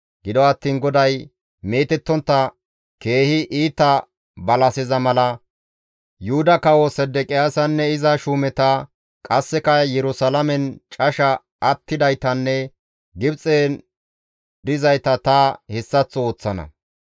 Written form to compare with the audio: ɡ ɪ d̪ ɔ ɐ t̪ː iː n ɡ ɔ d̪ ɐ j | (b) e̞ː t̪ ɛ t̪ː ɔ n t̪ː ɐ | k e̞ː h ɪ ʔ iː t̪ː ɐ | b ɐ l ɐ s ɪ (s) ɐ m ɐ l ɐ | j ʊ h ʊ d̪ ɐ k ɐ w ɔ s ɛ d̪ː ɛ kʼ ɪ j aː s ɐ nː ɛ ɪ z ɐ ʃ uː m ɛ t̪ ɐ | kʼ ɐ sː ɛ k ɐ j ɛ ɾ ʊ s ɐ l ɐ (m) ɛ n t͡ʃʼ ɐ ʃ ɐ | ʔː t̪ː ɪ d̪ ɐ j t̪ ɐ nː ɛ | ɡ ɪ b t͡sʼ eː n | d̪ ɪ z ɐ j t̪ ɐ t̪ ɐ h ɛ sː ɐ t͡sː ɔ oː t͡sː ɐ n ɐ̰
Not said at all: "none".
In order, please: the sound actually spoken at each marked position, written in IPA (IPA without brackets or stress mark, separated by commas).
m, z, m